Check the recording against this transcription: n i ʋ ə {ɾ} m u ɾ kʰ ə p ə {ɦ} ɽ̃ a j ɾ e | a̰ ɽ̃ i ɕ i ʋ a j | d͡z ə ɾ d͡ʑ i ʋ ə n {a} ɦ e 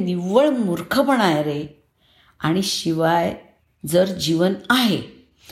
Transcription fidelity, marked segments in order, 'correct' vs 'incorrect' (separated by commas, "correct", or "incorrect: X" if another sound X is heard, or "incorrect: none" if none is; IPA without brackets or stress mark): incorrect: ɭ, incorrect: none, correct